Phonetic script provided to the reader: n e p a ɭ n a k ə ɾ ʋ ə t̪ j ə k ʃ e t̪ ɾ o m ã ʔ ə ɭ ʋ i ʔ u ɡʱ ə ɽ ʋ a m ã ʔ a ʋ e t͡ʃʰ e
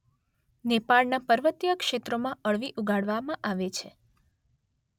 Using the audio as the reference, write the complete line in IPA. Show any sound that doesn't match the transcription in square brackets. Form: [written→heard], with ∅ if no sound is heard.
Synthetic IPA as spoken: n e p a ɭ n a [k→p] ə ɾ ʋ ə t̪ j ə k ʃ e t̪ ɾ o m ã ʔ ə ɭ ʋ i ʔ u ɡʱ [ə→a] ɽ ʋ a m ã ʔ a ʋ e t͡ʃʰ e